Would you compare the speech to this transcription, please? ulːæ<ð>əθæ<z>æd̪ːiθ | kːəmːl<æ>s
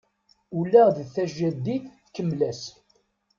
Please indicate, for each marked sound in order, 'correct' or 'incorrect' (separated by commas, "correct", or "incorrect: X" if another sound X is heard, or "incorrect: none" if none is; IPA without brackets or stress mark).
correct, incorrect: ʒ, correct